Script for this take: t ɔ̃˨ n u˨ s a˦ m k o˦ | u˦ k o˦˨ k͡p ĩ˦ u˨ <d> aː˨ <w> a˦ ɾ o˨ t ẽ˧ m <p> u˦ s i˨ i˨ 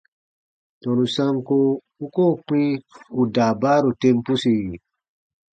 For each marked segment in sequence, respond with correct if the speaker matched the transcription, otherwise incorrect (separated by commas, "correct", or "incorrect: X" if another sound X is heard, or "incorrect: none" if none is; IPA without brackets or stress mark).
correct, incorrect: b, correct